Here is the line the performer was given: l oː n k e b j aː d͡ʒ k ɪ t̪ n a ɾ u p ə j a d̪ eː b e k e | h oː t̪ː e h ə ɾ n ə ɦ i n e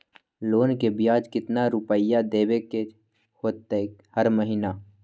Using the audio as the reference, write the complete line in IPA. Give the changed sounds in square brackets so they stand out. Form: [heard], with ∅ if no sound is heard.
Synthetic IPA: l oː n k e b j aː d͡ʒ k ɪ t̪ n a ɾ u p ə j a d̪ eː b e k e | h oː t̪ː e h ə ɾ [m] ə ɦ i n [a]